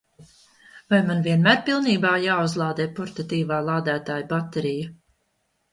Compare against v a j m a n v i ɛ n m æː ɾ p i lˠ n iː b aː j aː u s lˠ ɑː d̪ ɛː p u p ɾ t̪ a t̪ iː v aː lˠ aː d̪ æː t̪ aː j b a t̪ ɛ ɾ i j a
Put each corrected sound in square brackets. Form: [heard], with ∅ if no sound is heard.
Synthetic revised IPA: v a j m a n v i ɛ n m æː ɾ p i lˠ n iː b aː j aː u [z] lˠ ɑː d̪ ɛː p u [∅] ɾ t̪ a t̪ iː v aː lˠ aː d̪ æː t̪ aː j b a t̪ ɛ ɾ i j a